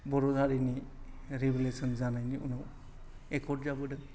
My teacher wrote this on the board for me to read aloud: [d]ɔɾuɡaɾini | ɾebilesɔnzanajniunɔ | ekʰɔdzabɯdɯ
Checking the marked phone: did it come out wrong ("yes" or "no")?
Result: yes